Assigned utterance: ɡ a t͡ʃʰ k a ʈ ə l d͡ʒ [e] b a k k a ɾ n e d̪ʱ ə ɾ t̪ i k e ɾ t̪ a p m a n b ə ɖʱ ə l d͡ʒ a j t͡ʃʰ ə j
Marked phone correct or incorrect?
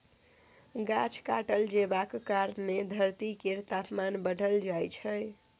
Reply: correct